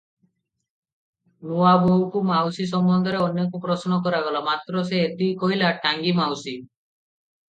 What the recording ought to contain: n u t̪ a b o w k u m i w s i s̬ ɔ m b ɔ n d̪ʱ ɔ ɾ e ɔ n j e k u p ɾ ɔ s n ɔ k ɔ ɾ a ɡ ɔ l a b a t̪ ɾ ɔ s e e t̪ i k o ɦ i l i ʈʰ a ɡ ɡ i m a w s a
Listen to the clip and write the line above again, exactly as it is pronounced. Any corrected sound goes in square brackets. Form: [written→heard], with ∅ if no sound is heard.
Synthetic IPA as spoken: n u [t̪→∅] a b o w k u m [i→a] w s i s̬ ɔ m b ɔ n d̪ʱ ɔ ɾ e ɔ n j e k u p ɾ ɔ s n ɔ k ɔ ɾ a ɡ ɔ l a [b→m] a t̪ ɾ ɔ s e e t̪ i k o ɦ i l [i→a] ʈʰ a [ɡ→ŋ] ɡ i m a w s [a→i]